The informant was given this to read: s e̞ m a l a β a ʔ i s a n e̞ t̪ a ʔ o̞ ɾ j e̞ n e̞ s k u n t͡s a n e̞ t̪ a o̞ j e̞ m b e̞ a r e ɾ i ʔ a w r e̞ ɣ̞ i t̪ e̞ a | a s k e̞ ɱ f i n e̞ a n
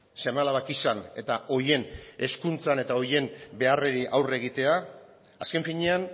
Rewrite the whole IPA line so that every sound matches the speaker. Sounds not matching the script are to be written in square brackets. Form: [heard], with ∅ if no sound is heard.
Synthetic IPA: s e̞ m a l a β a [k] i s a n e̞ t̪ a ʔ o̞ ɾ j e̞ n e̞ s k u n t͡s a n e̞ t̪ a o̞ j e̞ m b e̞ a r e ɾ i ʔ a w r e̞ ɣ̞ i t̪ e̞ a | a s k e̞ ɱ f i [ɲ] e̞ a n